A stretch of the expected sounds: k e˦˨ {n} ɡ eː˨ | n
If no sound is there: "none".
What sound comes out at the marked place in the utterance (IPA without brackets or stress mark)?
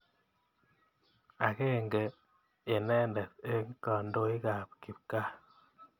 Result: ŋ